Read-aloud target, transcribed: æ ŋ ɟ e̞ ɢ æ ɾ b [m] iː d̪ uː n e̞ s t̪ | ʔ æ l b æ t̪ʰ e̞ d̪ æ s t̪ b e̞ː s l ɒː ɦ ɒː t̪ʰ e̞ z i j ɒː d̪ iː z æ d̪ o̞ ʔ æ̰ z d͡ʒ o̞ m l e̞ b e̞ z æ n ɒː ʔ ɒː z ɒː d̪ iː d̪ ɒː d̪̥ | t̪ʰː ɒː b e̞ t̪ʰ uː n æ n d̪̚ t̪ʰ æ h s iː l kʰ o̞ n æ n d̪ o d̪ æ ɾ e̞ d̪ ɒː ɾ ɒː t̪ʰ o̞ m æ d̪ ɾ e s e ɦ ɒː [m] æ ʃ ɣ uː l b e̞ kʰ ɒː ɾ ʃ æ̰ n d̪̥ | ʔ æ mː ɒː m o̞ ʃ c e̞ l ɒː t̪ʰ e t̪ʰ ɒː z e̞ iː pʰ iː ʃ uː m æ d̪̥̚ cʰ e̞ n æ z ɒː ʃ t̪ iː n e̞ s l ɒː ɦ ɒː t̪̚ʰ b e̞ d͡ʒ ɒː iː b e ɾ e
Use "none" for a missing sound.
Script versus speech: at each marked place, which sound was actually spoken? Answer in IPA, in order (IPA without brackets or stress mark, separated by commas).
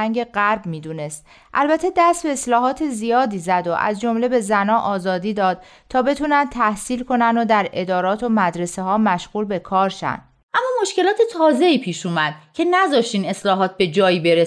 m, m